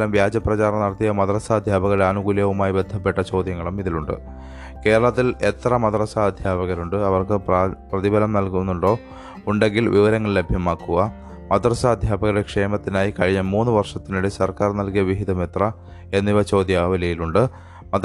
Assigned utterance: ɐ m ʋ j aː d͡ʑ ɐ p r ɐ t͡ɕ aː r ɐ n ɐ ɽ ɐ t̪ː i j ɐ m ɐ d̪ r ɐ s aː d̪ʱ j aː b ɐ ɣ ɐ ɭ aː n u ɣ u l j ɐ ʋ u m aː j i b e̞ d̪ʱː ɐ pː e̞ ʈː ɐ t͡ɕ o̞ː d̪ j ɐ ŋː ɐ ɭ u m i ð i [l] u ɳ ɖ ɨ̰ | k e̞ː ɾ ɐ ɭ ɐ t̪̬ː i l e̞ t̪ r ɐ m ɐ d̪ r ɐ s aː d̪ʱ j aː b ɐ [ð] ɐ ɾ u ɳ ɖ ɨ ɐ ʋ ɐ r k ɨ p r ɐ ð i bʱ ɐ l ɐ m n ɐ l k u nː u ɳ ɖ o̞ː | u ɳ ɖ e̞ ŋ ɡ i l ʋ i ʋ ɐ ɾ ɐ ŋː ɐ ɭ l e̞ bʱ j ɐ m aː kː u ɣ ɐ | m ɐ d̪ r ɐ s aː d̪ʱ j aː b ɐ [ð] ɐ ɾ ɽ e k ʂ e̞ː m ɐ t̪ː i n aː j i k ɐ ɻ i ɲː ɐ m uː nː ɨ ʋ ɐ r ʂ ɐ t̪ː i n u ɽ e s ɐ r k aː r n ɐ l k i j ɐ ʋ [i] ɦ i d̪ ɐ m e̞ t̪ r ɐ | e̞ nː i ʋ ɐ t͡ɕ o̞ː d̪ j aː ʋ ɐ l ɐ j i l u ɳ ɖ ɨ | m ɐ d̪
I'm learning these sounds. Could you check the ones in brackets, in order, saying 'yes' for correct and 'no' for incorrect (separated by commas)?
yes, no, no, yes